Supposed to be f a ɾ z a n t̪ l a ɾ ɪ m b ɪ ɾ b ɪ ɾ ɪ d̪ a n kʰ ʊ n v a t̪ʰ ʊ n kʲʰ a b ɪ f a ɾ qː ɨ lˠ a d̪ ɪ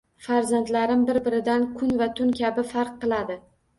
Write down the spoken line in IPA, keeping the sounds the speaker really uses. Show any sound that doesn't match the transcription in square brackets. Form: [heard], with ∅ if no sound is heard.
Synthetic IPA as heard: f a ɾ z a n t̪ l a ɾ ɪ m b ɪ ɾ b ɪ ɾ ɪ d̪ a n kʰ ʊ n v a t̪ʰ ʊ n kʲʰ a b ɪ f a ɾ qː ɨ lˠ a d̪ ɪ